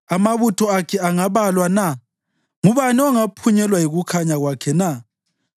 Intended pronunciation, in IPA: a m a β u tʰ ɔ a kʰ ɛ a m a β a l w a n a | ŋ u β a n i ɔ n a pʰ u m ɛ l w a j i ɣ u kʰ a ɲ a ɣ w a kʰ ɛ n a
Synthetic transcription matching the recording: a m a β u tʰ ɔ a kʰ ɛ a ŋ a β a l w a n a | ŋ u β a n i ɔ ŋ a pʰ u ɲ ɛ l w a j i ɣ u kʰ a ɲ a ɣ w a kʰ ɛ n a